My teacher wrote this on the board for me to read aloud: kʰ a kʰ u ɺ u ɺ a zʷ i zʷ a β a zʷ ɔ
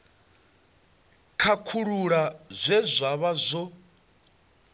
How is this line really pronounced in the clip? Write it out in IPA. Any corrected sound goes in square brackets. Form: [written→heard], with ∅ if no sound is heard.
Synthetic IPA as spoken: kʰ a kʰ u ɺ u ɺ a zʷ [i→ɛ] zʷ a β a zʷ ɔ